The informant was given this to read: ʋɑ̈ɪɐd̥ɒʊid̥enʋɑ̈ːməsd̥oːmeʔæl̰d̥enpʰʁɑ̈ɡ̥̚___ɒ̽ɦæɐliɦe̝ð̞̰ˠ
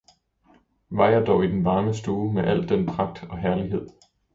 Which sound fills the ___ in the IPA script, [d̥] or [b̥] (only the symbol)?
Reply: d̥